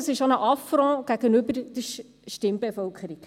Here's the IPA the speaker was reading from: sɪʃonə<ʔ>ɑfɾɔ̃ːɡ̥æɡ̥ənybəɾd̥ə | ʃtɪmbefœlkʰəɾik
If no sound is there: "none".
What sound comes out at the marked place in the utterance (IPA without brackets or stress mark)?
ʔ